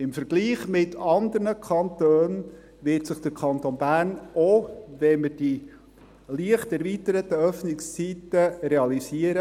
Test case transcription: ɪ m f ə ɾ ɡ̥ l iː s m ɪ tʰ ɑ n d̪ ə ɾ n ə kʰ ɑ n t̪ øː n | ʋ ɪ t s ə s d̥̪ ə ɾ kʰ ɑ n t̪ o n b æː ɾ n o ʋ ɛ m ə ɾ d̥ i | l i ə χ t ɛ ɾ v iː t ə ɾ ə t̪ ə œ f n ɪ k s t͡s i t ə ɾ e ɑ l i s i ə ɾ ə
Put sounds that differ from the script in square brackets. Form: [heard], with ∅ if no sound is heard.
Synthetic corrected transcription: ɪ m f ə ɾ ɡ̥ l iː [χ] m ɪ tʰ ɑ n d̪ ə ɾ n ə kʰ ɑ n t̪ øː n | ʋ ɪ t s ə [χ] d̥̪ ə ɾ kʰ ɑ n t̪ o n b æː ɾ n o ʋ ɛ m ə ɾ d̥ i | l i ə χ t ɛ ɾ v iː t ə ɾ ə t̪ ə œ f n ɪ k s t͡s i t ə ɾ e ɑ l i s i ə ɾ ə

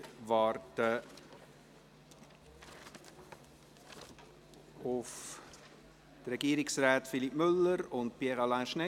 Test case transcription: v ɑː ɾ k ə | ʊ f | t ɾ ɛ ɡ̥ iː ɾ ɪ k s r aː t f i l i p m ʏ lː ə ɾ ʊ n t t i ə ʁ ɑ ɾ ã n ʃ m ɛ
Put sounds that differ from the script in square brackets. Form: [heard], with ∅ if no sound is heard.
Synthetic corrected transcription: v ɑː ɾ [t] ə | ʊ f | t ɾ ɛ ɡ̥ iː ɾ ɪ k s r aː t f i l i p m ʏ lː ə ɾ ʊ n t [p] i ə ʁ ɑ [l] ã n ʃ [n] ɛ

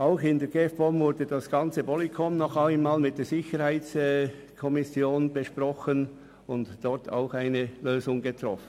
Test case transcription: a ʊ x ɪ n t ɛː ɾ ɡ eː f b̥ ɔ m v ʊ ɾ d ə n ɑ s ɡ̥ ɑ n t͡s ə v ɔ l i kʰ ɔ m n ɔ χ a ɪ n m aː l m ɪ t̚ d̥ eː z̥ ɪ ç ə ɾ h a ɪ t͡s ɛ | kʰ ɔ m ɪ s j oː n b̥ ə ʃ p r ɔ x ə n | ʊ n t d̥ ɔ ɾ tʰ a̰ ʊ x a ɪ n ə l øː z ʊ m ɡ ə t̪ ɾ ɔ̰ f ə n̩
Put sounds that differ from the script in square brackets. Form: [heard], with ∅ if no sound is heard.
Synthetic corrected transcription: a ʊ x ɪ n [d] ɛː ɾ ɡ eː f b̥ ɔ m v ʊ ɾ d ə [d] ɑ s ɡ̥ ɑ n t͡s ə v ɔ l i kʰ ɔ m n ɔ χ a ɪ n m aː l m ɪ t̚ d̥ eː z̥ ɪ ç ə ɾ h a ɪ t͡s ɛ | kʰ ɔ m ɪ s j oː n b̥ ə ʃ p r ɔ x ə n | ʊ n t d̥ ɔ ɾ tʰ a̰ ʊ x a ɪ n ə l øː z ʊ [ŋ] ɡ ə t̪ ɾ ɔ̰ f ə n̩

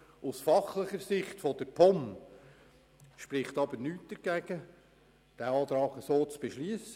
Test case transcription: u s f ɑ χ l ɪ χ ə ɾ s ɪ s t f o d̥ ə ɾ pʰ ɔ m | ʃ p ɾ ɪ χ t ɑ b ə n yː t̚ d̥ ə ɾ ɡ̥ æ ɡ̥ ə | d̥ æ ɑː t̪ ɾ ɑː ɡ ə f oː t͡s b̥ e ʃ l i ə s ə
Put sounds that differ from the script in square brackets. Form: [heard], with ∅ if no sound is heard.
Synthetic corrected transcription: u s f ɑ χ l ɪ χ ə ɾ s ɪ [χ] t f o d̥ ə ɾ pʰ ɔ m | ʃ p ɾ ɪ χ t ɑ b ə n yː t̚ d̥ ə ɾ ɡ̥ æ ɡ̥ ə | d̥ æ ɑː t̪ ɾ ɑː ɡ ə [s] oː t͡s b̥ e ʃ l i ə s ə

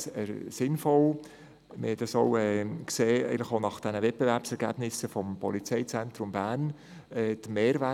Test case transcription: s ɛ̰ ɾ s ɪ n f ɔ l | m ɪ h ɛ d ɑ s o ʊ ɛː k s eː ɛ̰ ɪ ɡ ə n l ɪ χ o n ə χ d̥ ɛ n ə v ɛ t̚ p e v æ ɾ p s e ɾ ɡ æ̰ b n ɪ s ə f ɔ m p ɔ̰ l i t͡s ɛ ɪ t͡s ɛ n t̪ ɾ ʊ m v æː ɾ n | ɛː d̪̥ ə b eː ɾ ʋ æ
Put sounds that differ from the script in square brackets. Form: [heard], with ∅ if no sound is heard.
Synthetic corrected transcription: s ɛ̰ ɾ s ɪ n f ɔ l | m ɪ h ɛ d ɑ s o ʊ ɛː k s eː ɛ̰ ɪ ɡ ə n l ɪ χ o n [ɑ] χ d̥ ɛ n ə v ɛ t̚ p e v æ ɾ p s [ɛ] ɾ ɡ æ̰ b n ɪ s ə f ɔ m p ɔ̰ l i t͡s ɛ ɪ t͡s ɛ n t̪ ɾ ʊ m [b] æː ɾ n | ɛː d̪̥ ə [m] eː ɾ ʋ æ

